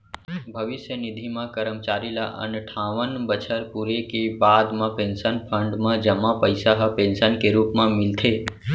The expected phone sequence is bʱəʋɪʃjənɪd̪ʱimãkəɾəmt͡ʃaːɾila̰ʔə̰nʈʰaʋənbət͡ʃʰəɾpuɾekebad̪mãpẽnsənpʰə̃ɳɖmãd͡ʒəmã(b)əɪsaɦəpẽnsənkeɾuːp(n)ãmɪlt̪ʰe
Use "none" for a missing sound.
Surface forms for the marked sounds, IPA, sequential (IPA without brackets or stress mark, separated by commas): p, m